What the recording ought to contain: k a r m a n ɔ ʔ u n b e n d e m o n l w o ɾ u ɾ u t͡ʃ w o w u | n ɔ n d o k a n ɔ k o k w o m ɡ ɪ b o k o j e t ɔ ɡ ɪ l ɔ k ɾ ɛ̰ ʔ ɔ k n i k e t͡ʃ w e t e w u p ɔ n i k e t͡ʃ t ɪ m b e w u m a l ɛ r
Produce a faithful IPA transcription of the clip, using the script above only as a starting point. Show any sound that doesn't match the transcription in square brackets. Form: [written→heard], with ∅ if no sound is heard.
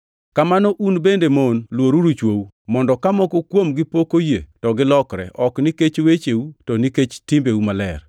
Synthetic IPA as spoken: k a [r→∅] m a n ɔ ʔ u n b e n d e m o n l w o ɾ u ɾ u t͡ʃ w o w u | [n→m] ɔ n d [o→ɔ] k a [n→m] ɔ k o k w o m ɡ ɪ [b→p] o k o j e t ɔ ɡ ɪ l ɔ k ɾ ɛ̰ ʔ ɔ k n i k e t͡ʃ w e [t→t͡ʃ] e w u [p→t] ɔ n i k e t͡ʃ t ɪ m b e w u m a l ɛ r